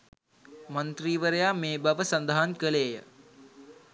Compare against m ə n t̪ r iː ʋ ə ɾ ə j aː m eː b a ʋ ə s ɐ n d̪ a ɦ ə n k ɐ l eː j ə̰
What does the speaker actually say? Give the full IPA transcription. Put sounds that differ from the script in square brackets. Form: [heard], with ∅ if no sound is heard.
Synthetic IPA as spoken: m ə n t̪ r iː ʋ ə ɾ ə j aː m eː b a ʋ ə s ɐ n d̪ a ɦ [a] n k [ə] l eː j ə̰